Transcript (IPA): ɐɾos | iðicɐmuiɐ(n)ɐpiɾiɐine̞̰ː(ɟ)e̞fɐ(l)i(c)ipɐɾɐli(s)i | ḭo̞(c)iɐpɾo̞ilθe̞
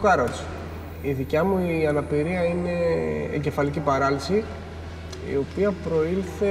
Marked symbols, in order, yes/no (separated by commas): yes, yes, yes, yes, yes, no